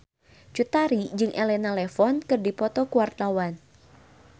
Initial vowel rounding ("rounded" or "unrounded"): rounded